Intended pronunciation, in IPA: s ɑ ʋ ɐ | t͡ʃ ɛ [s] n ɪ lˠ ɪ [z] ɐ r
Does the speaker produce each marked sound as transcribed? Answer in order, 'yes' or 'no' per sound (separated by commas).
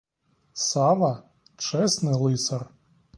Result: yes, no